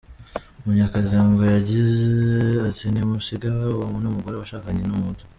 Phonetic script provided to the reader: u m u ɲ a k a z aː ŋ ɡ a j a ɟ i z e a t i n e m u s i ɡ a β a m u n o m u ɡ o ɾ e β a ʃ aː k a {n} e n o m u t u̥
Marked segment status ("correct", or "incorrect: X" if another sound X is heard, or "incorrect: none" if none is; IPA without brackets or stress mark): incorrect: ɲ